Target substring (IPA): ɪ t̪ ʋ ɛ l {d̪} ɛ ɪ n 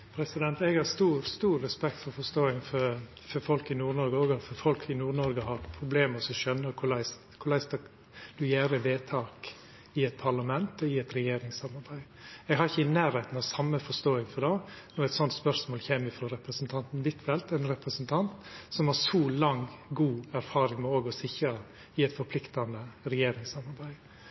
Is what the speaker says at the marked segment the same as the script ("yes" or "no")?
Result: no